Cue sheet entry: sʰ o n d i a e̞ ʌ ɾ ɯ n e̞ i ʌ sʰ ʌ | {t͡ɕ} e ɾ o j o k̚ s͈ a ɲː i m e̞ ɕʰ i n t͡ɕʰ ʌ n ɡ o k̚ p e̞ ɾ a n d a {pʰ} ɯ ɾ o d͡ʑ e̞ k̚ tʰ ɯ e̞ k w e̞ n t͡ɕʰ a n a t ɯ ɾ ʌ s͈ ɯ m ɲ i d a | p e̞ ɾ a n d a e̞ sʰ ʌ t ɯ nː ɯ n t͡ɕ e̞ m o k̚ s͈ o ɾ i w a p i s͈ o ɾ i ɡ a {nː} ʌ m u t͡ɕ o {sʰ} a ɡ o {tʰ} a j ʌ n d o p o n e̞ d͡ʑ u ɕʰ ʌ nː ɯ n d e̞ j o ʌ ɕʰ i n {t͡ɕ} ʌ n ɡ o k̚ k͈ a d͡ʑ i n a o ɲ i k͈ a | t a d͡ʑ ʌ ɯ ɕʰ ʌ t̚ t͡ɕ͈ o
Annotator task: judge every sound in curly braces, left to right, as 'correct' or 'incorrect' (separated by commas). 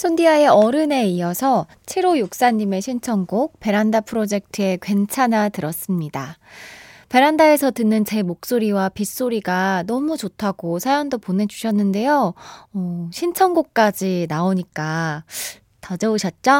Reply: incorrect, correct, incorrect, incorrect, incorrect, incorrect